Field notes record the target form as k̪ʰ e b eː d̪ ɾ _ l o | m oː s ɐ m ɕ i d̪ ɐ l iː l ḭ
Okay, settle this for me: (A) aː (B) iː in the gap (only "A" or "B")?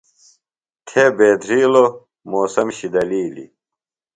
B